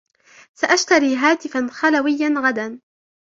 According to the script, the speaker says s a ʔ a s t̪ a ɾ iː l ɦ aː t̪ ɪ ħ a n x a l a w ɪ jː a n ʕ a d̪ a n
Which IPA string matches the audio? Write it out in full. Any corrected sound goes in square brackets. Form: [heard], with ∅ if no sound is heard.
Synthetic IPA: s a ʔ a [ʃ] t̪ a ɾ iː [∅] ɦ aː t̪ ɪ [f] a n x a l a w ɪ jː a n [ɣ] a d̪ a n